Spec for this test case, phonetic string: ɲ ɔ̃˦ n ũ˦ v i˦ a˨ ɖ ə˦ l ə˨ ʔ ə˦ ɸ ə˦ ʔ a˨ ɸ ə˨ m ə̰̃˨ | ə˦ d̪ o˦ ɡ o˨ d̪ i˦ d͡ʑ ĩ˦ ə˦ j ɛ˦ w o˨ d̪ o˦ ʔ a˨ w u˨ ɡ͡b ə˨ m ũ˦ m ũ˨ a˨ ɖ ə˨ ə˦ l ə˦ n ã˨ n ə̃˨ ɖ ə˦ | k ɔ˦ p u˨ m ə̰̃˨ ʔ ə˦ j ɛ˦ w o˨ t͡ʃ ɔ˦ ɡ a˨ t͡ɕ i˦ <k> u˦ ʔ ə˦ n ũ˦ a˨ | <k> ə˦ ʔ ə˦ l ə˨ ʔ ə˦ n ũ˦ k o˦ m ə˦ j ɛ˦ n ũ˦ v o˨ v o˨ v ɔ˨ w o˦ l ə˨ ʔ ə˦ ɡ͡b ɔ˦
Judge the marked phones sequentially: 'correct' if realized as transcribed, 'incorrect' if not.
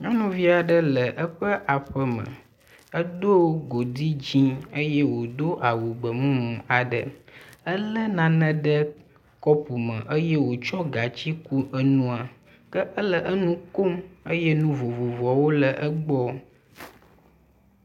correct, correct

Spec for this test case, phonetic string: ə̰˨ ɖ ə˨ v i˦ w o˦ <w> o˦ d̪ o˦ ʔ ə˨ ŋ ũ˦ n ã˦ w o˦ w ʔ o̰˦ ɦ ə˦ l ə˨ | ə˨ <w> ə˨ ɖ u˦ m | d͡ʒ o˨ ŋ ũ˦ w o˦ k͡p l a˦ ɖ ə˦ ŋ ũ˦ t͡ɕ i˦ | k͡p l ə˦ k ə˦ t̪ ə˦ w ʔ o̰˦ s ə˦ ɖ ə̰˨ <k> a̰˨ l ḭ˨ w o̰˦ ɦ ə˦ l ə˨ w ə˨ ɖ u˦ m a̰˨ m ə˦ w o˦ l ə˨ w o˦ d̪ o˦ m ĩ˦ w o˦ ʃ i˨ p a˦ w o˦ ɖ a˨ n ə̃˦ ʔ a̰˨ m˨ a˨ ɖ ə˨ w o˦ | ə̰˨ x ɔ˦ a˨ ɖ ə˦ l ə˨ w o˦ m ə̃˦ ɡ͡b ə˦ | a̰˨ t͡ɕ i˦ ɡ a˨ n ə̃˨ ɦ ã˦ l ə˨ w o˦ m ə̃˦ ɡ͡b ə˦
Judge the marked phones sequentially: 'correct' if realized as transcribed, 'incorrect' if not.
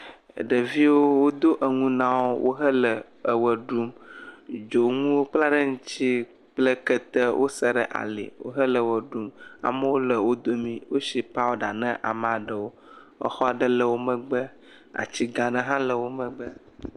correct, correct, incorrect

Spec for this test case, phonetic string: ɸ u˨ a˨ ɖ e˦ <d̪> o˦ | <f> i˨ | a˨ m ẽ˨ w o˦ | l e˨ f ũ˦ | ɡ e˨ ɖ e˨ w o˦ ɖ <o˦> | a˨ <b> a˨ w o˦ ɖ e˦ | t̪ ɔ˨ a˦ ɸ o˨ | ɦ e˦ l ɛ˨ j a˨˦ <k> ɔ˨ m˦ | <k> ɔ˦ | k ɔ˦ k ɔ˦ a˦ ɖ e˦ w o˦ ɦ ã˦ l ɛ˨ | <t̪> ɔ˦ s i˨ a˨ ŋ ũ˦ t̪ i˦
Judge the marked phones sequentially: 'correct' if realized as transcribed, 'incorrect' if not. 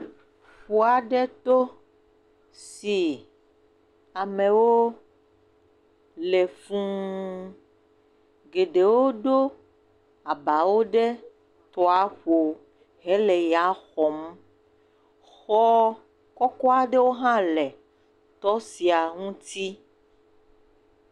incorrect, incorrect, correct, correct, incorrect, incorrect, correct

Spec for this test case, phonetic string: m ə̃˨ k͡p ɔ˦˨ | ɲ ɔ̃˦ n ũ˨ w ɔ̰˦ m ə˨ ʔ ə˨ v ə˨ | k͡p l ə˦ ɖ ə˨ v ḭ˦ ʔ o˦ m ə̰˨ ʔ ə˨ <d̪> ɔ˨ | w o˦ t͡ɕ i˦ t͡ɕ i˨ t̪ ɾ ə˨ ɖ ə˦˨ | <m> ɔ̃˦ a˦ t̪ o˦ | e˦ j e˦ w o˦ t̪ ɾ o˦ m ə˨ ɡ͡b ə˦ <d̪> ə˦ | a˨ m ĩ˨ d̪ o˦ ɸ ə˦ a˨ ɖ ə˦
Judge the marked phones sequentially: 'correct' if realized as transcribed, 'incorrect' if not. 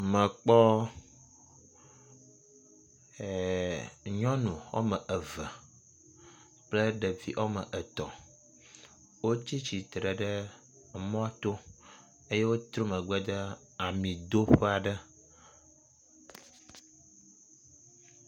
incorrect, correct, correct

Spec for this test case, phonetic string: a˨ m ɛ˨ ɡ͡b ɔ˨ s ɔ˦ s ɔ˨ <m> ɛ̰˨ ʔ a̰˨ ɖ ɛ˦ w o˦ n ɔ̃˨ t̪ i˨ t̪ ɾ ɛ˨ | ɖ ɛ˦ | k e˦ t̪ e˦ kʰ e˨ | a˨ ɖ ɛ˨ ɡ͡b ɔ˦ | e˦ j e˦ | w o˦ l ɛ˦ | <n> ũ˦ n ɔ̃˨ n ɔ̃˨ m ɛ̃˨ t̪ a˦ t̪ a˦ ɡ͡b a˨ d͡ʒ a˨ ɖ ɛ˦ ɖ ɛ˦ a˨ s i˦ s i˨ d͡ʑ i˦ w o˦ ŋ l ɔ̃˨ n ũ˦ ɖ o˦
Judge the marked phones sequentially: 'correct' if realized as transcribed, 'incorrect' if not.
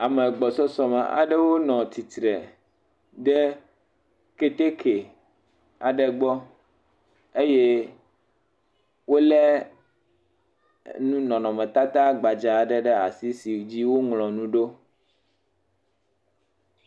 correct, correct

